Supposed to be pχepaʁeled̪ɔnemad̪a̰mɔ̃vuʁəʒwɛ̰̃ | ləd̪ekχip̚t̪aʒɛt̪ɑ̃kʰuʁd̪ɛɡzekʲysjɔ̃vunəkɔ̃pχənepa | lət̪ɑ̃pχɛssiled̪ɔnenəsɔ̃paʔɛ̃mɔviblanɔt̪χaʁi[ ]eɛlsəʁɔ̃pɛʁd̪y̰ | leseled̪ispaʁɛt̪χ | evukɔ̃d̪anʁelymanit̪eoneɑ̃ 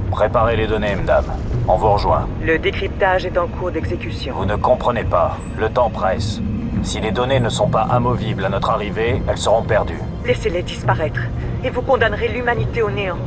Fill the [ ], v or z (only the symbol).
v